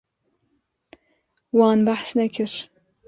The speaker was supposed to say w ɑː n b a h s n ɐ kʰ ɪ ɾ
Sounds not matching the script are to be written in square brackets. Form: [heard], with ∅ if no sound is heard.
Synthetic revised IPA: w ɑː n b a [ħ] s n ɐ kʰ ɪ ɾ